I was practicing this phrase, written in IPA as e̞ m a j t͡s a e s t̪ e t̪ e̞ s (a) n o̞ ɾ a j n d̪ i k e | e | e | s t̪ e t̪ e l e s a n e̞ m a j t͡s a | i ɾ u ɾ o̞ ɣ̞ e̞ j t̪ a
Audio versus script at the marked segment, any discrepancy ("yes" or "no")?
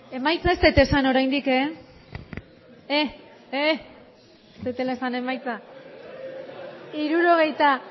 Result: no